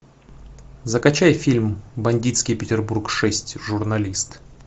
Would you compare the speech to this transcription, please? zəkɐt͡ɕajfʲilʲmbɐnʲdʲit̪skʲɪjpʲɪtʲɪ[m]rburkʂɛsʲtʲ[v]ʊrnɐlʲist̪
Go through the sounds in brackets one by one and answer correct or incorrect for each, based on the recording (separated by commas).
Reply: incorrect, incorrect